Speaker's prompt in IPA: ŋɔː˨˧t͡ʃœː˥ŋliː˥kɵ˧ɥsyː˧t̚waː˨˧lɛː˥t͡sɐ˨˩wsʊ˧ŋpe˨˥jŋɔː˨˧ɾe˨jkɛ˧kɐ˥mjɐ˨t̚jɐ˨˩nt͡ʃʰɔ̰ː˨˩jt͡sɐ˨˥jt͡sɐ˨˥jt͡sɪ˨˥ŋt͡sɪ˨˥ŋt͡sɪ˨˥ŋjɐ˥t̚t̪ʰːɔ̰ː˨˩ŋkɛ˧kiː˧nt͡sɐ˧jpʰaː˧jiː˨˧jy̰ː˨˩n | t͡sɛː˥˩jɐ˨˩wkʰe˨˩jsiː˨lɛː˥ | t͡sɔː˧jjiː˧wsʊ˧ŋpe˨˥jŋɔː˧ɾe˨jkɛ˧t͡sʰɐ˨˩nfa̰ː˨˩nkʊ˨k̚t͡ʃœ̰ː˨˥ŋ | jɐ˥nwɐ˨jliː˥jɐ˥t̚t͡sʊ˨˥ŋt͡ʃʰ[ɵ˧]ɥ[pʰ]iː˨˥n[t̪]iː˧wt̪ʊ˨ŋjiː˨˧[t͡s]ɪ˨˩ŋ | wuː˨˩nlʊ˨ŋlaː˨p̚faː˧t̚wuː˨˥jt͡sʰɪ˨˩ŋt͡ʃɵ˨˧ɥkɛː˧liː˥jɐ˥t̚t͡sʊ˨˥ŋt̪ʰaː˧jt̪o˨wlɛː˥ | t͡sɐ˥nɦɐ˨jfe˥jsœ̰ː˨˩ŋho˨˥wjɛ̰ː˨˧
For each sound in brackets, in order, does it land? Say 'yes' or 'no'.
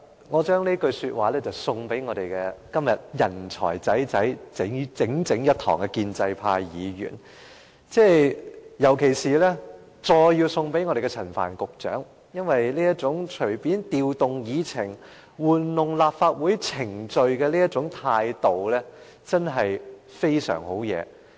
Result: no, no, yes, no

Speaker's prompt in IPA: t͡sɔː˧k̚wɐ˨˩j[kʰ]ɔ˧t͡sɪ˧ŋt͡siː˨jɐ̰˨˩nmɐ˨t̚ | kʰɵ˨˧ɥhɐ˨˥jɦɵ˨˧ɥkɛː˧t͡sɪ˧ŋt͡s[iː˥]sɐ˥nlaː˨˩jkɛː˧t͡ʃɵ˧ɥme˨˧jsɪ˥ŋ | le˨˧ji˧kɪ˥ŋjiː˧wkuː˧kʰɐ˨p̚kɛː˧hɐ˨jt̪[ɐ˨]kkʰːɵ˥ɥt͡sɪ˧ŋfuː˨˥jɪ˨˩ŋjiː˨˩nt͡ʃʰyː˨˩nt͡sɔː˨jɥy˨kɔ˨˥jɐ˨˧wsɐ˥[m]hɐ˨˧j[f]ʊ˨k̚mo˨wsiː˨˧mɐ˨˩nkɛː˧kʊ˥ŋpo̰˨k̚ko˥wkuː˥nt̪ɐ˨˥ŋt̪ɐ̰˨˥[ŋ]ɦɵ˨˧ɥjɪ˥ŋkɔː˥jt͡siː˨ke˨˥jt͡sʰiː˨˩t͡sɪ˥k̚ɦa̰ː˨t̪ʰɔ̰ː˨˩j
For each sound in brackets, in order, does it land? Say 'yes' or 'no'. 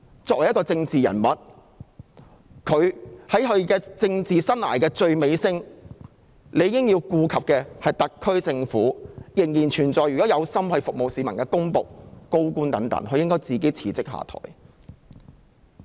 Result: no, no, yes, yes, yes, yes

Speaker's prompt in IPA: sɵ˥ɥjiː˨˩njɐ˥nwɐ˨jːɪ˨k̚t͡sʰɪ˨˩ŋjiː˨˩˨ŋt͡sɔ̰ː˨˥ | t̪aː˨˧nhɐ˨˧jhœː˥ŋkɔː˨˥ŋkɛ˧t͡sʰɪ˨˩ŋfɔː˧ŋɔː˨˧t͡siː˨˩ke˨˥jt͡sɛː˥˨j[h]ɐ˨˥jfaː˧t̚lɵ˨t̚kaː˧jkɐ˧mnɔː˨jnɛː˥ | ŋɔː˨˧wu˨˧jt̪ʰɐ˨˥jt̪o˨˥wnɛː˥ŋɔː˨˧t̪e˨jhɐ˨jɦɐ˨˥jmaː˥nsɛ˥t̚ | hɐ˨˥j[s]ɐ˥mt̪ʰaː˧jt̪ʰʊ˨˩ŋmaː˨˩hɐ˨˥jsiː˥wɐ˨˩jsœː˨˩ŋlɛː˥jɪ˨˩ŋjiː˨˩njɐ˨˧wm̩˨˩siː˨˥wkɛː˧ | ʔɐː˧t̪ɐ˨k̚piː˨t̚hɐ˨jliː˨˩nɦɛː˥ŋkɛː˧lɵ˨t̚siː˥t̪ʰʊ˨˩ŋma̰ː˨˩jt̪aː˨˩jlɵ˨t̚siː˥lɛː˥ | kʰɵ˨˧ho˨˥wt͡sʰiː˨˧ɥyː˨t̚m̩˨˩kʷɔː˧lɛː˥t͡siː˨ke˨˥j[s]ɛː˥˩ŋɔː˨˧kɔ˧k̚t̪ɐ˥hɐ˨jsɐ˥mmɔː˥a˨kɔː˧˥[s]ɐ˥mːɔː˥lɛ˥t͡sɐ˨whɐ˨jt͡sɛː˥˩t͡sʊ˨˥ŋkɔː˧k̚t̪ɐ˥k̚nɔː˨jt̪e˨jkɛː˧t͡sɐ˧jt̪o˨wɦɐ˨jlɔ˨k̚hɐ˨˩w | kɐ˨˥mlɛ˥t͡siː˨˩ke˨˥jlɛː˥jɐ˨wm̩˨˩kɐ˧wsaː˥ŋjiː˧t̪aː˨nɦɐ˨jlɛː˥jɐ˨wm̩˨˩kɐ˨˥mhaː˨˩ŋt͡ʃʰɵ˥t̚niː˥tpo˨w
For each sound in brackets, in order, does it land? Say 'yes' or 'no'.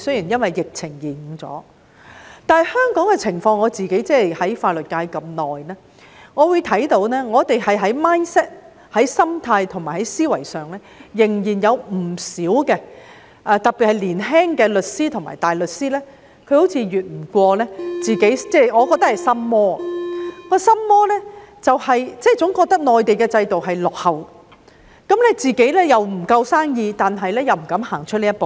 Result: yes, yes, no, yes

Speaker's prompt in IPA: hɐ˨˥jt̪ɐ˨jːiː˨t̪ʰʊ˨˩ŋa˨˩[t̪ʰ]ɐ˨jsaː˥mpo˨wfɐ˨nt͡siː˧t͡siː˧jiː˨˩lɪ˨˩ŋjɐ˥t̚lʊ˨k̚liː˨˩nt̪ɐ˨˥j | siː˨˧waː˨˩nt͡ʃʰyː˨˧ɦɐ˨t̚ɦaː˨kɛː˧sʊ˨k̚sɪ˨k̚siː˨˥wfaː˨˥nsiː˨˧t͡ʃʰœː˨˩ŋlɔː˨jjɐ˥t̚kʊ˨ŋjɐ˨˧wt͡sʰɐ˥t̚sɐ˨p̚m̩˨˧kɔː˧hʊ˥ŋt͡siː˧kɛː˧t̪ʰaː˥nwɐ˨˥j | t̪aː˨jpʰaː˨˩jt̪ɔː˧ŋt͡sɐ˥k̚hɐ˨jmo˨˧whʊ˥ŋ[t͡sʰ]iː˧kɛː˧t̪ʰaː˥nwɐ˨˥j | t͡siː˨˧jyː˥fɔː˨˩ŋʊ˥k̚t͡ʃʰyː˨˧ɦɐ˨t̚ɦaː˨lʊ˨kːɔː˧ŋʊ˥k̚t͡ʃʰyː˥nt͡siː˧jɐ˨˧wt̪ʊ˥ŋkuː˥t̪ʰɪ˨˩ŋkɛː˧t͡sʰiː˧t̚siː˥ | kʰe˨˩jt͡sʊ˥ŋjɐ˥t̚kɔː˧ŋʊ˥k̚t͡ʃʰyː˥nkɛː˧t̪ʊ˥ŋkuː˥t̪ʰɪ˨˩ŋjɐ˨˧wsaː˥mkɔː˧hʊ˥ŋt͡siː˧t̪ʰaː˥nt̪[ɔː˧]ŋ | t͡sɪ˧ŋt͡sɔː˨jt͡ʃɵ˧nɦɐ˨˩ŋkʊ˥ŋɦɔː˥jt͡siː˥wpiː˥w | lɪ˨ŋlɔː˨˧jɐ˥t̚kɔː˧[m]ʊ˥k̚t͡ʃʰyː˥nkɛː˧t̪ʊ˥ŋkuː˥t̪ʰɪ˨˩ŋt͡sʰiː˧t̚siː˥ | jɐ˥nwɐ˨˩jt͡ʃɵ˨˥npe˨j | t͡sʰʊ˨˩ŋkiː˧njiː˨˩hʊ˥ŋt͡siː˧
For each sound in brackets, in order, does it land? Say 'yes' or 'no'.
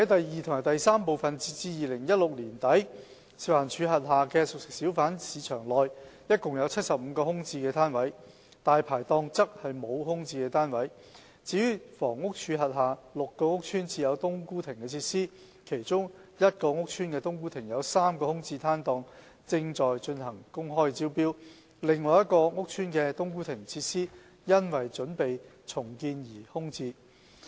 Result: no, no, yes, no

